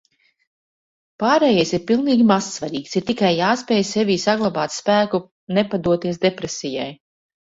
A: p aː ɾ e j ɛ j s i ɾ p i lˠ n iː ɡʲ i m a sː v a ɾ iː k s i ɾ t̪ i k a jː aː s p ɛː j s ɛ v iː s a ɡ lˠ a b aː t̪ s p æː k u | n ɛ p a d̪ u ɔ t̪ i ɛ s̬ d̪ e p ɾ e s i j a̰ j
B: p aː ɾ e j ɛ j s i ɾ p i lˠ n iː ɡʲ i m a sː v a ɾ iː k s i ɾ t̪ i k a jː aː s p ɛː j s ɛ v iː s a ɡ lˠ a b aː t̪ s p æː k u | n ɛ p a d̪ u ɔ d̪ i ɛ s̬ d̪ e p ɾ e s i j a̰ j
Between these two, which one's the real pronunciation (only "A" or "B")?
A